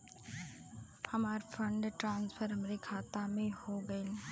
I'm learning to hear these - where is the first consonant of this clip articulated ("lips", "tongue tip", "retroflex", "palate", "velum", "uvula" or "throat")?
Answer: throat